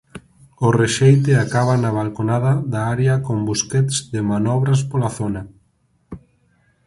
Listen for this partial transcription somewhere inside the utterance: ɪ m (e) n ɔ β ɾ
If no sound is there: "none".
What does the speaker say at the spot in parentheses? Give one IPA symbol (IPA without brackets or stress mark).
a